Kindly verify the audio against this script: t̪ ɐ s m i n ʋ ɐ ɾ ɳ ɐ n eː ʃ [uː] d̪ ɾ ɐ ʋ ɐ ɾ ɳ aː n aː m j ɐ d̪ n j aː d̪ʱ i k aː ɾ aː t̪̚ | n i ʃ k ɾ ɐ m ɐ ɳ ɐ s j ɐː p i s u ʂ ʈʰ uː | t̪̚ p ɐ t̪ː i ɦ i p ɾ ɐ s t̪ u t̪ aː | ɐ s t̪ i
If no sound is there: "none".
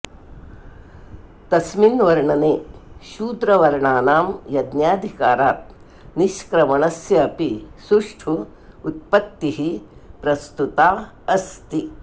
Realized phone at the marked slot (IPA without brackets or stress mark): uː